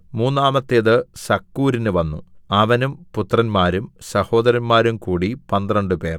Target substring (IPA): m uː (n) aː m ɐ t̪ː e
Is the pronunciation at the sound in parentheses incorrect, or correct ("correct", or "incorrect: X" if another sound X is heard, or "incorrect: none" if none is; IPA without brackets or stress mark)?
incorrect: nː